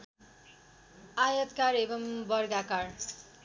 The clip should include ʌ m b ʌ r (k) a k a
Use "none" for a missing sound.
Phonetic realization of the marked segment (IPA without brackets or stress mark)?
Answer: ɡ